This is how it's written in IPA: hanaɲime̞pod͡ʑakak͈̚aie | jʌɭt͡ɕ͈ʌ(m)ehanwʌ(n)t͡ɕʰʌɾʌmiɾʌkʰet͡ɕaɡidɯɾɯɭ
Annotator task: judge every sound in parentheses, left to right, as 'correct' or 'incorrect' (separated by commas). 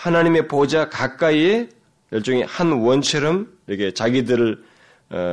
incorrect, correct